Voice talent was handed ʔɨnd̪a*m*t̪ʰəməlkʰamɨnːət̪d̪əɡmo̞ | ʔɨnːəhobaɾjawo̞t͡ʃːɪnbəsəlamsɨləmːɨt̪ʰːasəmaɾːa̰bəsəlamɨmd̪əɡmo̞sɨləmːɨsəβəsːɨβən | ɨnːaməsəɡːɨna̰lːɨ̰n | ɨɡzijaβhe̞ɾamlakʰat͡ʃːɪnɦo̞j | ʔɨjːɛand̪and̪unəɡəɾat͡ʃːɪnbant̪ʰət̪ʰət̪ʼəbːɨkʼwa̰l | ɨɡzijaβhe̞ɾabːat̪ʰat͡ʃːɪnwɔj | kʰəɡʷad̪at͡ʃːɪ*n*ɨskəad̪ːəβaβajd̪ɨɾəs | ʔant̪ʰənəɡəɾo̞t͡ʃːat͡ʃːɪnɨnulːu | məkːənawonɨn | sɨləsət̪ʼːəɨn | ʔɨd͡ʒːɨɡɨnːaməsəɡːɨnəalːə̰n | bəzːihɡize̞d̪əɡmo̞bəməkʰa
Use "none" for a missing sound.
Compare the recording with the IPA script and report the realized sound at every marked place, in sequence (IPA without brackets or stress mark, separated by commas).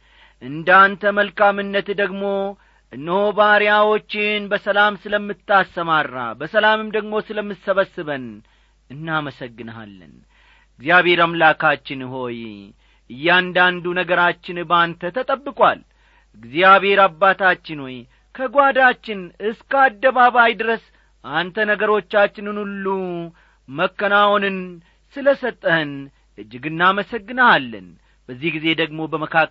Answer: n, n